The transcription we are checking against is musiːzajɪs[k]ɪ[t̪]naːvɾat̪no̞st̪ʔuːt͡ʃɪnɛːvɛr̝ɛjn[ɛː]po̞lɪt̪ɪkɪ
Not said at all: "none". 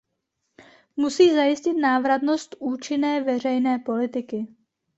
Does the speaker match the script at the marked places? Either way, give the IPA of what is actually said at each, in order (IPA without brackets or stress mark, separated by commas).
c, t̪, ɛː